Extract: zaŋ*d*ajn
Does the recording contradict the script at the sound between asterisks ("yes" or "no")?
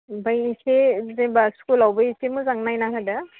yes